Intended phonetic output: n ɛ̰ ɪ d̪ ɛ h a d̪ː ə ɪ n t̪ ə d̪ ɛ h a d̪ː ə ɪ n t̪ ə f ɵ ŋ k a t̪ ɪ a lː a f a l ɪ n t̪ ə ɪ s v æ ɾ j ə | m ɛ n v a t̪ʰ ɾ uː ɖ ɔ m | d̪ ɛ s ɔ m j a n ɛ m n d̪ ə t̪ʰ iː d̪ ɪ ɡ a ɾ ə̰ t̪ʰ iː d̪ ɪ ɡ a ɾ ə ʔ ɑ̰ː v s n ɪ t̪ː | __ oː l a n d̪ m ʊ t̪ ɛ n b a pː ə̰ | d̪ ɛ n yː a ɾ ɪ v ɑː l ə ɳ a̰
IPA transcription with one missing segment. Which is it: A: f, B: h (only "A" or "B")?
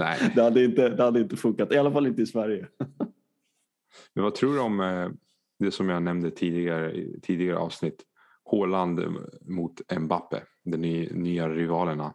B